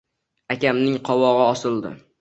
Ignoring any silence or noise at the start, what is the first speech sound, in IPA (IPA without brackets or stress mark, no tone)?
a